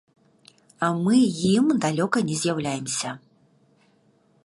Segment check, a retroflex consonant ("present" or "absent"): absent